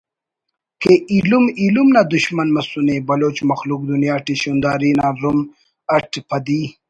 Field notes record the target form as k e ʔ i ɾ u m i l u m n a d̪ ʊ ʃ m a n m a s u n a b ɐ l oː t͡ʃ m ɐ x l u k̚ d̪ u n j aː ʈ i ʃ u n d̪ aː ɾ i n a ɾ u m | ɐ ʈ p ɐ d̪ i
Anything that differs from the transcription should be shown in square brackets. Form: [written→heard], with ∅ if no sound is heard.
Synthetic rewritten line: k e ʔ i [ɾ→l] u m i l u m n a d̪ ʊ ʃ m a n m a s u n [a→e] b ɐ l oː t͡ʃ m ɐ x l u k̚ d̪ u n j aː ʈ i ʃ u n d̪ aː ɾ i n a ɾ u m | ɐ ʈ p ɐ d̪ i

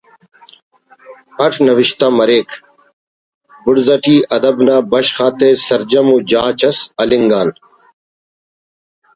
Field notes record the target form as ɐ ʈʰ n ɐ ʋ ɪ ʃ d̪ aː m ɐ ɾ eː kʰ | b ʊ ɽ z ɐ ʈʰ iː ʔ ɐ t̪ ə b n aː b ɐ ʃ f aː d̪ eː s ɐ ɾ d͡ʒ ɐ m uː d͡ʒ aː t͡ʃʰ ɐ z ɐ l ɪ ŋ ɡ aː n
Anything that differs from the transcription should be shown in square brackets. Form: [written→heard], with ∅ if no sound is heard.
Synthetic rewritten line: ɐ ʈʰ n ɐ ʋ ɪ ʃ [d̪→t̪] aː m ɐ ɾ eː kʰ | b ʊ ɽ z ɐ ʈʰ iː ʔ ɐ [t̪→d̪] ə b n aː b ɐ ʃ [f→x] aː [d̪→t̪] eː s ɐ ɾ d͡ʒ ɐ m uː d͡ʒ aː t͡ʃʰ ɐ [z→s] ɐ l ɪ ŋ ɡ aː n

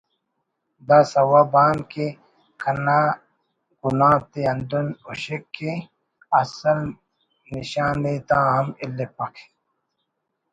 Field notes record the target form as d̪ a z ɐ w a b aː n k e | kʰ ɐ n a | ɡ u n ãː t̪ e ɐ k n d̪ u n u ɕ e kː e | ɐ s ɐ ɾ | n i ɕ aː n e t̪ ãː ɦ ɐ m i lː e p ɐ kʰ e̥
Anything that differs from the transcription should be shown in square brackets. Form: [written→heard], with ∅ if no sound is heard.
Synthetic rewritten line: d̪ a [z→s] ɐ w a b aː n k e | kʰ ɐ n a | ɡ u n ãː t̪ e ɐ [k→∅] n d̪ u n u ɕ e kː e | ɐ s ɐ [ɾ→l] | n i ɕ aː n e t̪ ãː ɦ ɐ m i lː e p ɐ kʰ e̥

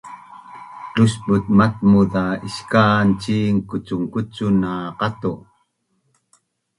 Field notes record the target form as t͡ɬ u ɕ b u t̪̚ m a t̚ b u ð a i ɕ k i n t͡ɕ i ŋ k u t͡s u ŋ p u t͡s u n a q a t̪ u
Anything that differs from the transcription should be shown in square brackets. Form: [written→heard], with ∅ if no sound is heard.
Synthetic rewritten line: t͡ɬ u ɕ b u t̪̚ m a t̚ [b→m] u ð a i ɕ k [i→a] n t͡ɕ i ŋ k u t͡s u ŋ [p→k] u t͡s u n a q a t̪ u

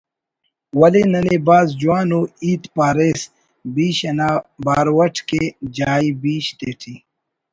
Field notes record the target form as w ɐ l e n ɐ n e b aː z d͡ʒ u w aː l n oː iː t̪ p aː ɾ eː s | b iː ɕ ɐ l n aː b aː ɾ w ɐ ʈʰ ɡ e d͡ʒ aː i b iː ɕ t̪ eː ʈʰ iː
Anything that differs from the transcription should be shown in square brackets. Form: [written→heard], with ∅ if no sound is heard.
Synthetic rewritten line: w ɐ l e n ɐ n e b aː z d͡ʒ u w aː [l→∅] n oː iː t̪ p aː ɾ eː s | b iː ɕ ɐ [l→∅] n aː b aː ɾ w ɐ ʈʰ [ɡ→k] e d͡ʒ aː i b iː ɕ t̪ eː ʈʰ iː

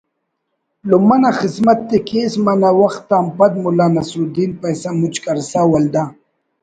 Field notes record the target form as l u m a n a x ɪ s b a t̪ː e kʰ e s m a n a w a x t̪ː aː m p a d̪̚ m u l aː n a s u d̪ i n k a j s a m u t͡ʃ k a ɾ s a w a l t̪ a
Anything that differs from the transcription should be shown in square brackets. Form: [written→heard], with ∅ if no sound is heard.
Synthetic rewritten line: l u m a n a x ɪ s [b→m] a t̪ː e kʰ e s m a n a w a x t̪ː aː m p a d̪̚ m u l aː n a s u d̪ i n [k→p] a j s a m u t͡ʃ k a ɾ s a w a l [t̪→d̪] a

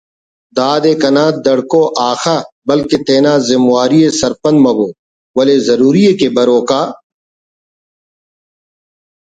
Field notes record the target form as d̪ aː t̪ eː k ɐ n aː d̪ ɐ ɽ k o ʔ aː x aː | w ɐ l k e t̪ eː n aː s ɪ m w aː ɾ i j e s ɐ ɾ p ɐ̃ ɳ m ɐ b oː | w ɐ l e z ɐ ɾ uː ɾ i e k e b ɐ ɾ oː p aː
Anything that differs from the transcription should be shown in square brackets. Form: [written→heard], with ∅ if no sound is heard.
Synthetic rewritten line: d̪ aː [t̪→d̪] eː k ɐ n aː d̪ ɐ ɽ k o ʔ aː x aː | [w→b] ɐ l k e t̪ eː n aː [s→z] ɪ m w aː ɾ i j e s ɐ ɾ p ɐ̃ [ɳ→n] m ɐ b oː | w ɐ l e z ɐ ɾ uː ɾ i e k e b ɐ ɾ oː [p→k] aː

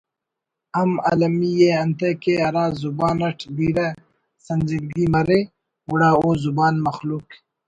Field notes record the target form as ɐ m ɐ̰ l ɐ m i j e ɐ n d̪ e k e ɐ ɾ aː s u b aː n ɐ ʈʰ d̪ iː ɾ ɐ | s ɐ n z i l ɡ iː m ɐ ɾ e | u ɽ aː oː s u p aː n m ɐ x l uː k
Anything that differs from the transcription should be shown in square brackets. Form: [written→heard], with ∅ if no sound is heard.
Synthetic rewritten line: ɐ m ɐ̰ l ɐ m i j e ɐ n [d̪→t̪] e k e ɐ ɾ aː [s→z] u b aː n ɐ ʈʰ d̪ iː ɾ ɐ | s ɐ n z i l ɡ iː m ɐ ɾ e | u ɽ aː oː [s→z] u [p→b] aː n m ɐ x l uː k

